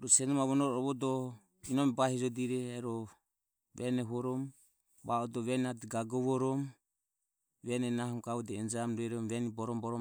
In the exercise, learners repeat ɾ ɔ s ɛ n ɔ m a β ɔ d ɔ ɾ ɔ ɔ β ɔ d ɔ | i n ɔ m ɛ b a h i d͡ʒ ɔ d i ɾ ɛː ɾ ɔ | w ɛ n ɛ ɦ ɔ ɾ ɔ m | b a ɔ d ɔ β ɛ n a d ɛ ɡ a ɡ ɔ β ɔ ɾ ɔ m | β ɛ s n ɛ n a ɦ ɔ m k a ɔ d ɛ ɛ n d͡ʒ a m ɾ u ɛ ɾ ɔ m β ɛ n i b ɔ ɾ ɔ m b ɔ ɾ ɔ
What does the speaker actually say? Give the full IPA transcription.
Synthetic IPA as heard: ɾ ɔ s ɛ n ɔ m a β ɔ n ɔ ɾ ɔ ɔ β ɔ d ɔ | i n ɔ m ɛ b a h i d͡ʒ ɔ d i ɾ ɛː ɾ ɔ | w ɛ n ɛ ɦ ɔ ɾ ɔ m | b a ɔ d ɔ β ɛ n a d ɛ ɡ a ɡ ɔ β ɔ ɾ ɔ m | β ɛ n ɛ n a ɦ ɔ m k a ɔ d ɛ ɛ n d͡ʒ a m ɾ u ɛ ɾ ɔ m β ɛ n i b ɔ ɾ ɔ m b ɔ ɾ ɔ